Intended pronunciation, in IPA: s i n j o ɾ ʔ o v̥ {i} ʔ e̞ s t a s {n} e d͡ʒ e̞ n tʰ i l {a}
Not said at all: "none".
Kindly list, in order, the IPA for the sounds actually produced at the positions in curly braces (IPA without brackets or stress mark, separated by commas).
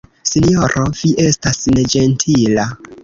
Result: i, n, a